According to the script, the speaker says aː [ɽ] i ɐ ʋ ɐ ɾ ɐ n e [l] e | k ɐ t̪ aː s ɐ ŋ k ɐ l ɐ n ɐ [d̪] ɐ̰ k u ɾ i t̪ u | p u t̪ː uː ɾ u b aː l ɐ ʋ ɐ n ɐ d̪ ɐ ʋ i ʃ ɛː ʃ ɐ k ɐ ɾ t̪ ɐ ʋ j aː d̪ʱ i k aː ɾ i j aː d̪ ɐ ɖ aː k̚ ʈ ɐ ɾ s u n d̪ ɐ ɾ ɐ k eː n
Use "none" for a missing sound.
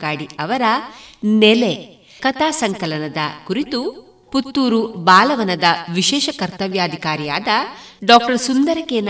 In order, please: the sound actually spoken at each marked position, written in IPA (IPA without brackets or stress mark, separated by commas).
ɽ, l, d̪